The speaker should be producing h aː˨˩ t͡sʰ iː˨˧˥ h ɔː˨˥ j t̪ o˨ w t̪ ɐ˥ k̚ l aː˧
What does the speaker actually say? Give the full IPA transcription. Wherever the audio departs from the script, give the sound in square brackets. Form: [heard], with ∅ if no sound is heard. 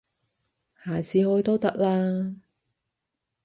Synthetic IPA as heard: h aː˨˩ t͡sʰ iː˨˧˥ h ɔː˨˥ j t̪ [o˥] w t̪ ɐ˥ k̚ l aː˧